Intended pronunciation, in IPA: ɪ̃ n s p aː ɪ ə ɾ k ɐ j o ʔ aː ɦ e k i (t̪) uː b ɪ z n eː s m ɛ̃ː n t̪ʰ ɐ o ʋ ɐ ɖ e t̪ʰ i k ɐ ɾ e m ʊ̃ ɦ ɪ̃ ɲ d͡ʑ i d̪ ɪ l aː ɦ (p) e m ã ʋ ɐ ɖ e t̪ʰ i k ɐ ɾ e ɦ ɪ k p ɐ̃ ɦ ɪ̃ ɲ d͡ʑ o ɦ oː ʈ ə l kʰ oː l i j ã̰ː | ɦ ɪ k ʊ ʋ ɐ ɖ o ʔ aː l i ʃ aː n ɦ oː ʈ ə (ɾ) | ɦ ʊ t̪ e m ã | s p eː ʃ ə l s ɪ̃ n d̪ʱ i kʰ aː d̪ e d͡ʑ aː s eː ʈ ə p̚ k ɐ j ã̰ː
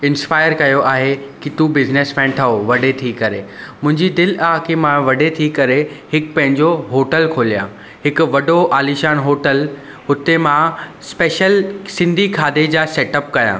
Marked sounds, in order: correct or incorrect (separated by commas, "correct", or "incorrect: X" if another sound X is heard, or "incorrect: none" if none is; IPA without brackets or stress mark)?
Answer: correct, incorrect: k, incorrect: l